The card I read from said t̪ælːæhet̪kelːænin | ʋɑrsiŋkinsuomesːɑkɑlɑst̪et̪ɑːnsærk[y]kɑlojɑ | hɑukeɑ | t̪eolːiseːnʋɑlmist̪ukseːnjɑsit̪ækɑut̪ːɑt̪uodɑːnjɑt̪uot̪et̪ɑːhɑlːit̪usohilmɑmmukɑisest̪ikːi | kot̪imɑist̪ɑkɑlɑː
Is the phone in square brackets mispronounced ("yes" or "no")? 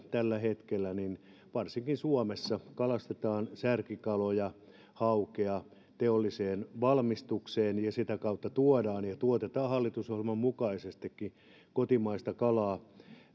yes